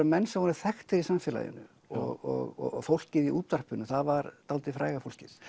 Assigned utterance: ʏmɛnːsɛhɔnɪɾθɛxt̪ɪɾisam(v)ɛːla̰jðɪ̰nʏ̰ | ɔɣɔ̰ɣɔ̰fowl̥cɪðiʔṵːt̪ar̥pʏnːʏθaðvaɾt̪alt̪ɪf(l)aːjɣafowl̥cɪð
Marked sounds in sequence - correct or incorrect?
incorrect: f, incorrect: ɾ

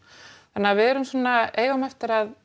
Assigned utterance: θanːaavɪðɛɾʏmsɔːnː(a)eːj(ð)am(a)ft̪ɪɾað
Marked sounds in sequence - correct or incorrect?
correct, incorrect: ɣ, incorrect: ɛ

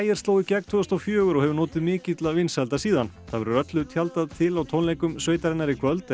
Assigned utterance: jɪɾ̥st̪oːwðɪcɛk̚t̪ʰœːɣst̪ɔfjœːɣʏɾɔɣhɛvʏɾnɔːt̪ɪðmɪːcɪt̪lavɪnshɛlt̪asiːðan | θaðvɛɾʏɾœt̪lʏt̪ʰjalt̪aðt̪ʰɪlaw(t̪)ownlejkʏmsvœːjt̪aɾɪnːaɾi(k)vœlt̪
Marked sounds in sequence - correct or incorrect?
incorrect: t̪ʰ, incorrect: kʰ

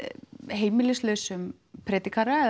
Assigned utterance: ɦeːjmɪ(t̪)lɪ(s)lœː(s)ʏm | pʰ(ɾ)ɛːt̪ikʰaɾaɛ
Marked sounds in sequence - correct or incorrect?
incorrect: none, correct, correct, correct

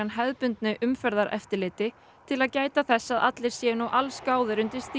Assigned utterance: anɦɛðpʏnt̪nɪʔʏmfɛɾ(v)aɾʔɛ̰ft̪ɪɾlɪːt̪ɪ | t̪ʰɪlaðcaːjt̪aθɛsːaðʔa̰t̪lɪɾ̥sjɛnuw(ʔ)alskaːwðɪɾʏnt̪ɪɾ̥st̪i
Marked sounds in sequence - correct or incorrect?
incorrect: ð, correct

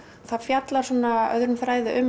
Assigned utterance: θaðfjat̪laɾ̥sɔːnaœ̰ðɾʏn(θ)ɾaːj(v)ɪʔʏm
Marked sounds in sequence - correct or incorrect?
incorrect: f, incorrect: ð

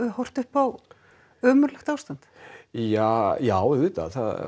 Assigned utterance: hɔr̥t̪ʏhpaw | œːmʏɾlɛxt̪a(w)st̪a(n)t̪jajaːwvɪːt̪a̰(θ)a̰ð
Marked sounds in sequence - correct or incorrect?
correct, correct, correct

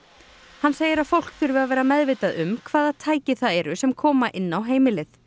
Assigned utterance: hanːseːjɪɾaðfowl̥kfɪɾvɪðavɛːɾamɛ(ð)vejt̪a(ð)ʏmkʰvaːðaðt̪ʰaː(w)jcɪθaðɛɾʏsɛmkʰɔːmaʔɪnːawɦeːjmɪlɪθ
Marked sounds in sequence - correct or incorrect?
correct, correct, incorrect: none

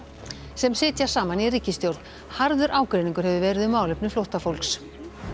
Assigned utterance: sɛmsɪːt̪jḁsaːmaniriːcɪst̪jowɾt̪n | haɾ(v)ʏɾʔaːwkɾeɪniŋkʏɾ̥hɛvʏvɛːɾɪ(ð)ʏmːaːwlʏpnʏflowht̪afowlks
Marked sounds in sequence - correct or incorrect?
incorrect: ð, correct

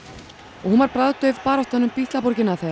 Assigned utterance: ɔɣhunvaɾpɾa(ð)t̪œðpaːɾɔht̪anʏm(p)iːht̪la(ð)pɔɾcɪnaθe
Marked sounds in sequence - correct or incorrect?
correct, correct, incorrect: none

